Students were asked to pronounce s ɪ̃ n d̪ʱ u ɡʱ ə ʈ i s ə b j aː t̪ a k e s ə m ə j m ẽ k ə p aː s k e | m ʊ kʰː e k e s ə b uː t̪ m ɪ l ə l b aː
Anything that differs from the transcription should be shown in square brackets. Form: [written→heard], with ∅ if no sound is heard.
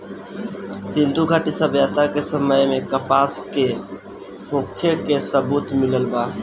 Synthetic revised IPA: s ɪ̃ n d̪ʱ u ɡʱ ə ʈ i s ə b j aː t̪ a k e s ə m ə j m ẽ k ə p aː s k e | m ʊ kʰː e k e s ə b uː t̪ m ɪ l ə l b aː